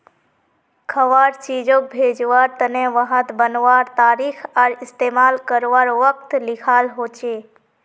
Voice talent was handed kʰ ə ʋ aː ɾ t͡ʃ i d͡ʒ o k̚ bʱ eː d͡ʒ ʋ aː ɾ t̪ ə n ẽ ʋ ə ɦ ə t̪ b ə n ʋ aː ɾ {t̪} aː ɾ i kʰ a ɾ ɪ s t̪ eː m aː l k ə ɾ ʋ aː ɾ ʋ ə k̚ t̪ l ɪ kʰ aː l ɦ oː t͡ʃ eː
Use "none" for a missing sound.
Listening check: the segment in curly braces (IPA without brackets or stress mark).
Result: t̪